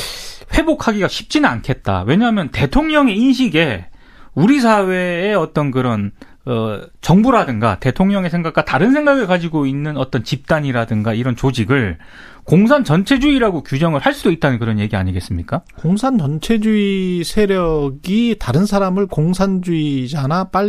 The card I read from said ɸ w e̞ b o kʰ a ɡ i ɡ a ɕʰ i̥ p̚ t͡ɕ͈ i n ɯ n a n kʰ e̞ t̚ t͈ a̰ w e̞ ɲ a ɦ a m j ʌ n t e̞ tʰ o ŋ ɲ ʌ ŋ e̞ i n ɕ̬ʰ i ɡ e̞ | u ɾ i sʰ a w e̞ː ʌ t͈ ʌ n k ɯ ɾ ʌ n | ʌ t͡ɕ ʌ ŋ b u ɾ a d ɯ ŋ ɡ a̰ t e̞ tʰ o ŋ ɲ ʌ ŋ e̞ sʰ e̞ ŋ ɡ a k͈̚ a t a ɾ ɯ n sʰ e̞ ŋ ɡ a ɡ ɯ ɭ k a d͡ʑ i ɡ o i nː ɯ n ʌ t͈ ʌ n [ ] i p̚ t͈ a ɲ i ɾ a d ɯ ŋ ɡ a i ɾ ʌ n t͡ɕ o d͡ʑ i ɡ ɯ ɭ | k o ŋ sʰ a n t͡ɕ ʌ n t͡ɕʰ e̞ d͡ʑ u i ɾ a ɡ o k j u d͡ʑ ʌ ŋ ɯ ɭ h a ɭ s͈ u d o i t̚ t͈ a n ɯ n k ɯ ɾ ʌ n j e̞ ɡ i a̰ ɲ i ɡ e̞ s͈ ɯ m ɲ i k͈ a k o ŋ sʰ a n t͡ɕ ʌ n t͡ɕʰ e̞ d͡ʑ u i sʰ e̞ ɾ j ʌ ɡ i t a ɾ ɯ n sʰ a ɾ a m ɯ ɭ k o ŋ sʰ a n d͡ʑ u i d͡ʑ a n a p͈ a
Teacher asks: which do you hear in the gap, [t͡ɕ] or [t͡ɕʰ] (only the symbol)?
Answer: t͡ɕ